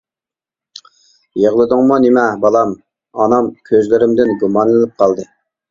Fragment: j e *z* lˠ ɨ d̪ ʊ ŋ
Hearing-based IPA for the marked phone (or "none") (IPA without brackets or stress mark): ʁ